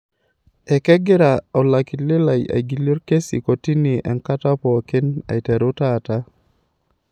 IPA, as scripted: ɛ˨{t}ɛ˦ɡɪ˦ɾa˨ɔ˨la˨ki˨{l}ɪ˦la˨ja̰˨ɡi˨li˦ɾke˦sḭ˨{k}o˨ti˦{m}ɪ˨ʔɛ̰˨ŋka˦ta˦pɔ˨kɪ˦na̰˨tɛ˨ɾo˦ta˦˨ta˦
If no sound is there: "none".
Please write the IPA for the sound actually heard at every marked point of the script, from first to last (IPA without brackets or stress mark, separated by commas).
k, l, k, n